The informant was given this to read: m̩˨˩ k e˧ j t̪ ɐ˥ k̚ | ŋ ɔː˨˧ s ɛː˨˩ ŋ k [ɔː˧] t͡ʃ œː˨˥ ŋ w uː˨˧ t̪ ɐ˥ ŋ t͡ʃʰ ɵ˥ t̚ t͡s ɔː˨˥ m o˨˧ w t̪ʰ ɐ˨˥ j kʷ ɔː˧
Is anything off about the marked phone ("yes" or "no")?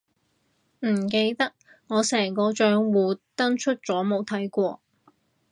no